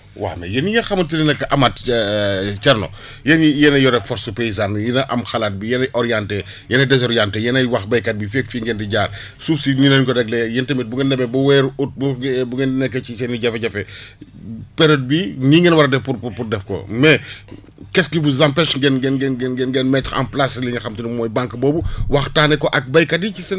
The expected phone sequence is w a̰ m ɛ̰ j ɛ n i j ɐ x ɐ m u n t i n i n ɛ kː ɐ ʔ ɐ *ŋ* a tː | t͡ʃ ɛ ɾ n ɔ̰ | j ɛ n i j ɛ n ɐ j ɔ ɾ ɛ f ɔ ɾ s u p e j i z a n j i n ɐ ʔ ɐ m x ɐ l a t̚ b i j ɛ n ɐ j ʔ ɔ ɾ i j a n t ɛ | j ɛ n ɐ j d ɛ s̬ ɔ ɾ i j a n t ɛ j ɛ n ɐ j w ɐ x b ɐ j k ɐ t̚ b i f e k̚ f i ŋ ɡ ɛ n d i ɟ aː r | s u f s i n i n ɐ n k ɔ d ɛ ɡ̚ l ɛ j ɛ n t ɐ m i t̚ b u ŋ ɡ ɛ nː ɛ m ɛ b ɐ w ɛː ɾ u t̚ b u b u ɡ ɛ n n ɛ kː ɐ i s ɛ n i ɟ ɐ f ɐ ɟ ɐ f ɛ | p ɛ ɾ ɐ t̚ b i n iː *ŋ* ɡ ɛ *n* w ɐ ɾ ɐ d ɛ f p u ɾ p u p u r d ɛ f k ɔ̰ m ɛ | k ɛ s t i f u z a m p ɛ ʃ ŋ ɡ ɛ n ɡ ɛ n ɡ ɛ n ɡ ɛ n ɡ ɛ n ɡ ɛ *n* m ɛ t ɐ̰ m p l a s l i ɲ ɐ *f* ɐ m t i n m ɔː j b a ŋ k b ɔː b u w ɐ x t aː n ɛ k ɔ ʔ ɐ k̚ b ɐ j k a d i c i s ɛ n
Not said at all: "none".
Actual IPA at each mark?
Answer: m, ŋ, n, n, x

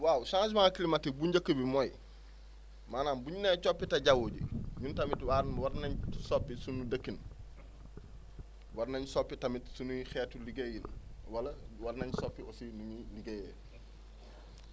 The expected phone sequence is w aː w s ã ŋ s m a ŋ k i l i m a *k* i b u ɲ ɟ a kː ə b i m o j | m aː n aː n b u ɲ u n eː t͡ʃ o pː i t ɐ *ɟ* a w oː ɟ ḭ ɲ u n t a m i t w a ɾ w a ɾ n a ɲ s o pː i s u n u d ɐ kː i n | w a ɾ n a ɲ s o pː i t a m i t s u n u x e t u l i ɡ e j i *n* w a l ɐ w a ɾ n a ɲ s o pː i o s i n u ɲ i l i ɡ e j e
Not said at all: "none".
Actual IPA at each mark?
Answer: t, ɟ, n

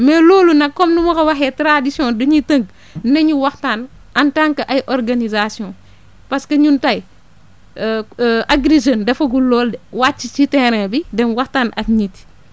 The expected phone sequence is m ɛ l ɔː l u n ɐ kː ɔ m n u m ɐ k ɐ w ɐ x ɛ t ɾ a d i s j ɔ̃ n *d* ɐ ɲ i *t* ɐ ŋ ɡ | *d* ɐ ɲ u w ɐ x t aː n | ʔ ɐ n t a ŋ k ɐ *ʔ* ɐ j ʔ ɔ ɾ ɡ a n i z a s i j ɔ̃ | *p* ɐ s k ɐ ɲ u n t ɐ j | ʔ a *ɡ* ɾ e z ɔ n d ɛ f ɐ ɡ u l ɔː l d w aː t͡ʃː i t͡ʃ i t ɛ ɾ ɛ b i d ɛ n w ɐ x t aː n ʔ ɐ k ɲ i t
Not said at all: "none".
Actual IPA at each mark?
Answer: d, t, n, ʔ, p, ɡ

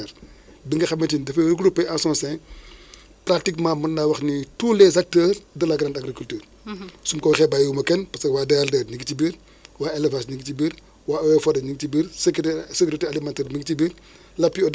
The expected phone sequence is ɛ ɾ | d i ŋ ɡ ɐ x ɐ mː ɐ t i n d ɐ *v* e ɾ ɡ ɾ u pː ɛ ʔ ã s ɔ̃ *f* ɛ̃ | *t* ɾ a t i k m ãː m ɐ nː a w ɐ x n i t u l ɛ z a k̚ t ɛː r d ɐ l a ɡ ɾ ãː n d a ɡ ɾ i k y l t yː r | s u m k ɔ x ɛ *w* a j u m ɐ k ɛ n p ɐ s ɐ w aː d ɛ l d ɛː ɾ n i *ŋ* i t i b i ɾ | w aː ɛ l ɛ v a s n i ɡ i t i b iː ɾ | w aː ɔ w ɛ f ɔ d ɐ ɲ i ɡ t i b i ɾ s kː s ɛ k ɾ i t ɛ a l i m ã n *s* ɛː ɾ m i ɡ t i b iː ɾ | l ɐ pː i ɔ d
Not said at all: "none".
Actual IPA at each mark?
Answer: f, s, p, b, ɡ, t

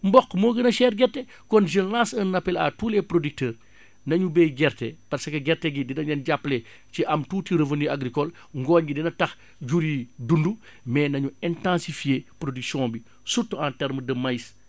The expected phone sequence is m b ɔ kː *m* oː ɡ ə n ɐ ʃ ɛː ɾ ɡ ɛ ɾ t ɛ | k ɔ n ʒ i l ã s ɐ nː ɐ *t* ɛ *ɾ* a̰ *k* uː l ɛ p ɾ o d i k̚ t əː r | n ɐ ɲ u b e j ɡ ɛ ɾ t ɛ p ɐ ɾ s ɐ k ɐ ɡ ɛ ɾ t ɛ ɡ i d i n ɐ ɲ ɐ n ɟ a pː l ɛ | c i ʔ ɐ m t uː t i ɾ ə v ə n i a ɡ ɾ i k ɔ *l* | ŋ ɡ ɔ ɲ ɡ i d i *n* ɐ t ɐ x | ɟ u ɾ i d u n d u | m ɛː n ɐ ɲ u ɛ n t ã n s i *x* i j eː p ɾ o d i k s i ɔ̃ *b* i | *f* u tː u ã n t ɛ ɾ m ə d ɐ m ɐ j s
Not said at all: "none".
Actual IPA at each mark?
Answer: m, p, l, t, l, n, f, b, s

